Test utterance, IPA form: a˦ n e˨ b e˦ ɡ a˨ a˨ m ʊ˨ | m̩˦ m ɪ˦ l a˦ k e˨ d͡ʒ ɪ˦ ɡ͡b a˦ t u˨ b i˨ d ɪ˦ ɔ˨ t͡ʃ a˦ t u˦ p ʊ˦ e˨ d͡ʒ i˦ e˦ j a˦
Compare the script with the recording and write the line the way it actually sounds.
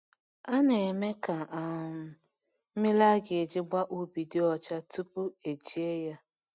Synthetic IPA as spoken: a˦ n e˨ m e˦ k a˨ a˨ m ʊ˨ | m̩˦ m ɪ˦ l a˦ ɡ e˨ d͡ʒ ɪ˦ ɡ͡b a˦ ʔ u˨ b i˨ d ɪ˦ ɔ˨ t͡ʃ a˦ t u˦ p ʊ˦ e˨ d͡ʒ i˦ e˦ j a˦

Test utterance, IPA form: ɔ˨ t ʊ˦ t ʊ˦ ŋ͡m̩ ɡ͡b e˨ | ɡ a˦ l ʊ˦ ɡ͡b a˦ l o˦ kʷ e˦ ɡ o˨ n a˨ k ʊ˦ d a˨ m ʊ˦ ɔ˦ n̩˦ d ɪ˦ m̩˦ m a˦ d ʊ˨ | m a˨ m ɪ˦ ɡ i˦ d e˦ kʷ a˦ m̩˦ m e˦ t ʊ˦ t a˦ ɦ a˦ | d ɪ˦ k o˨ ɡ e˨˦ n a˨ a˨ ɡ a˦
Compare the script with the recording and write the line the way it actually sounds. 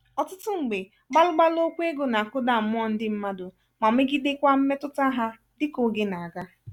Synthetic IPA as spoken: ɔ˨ t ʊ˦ t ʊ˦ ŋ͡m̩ ɡ͡b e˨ | ɡ͡b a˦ l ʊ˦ ɡ͡b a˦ l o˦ kʷ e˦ ɡ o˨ n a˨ k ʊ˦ d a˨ m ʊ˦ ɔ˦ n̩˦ d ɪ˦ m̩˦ m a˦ d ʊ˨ | m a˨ m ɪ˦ ɡ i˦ d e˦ kʷ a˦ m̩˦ m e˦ t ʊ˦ t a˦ ɦ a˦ | d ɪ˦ k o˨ ɡ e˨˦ n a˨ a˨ ɡ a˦

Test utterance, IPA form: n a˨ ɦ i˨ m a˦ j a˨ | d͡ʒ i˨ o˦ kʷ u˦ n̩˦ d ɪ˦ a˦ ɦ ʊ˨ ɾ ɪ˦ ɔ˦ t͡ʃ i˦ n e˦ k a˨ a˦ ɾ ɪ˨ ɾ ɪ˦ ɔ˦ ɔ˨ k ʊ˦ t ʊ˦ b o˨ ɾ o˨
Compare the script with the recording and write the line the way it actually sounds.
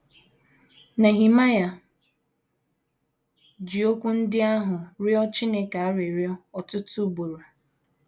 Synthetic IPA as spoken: n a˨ ɦ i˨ m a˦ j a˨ | d͡ʒ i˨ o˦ kʷ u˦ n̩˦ d ɪ˦ a˦ ɦ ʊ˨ ɾ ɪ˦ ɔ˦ t͡ʃ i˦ n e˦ k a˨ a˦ ɾ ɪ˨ ɾ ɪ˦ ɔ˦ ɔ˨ t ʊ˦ t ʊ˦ b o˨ ɾ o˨

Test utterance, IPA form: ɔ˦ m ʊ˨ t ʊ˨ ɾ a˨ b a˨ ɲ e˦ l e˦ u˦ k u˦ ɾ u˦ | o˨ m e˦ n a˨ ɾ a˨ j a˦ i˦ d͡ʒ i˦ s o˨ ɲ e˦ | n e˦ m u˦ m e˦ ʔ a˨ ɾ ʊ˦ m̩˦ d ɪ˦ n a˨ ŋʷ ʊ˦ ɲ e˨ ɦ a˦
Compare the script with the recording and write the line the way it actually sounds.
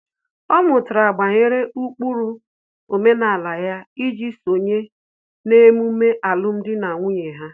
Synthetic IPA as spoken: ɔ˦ m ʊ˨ t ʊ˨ ɾ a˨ ɡ͡b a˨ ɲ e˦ ɾ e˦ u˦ k͡p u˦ ɾ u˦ | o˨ m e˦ n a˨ l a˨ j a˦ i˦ d͡ʒ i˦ s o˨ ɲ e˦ | n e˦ m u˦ m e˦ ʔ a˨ l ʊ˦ m̩˦ d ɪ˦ n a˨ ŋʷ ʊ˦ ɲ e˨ ɦ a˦

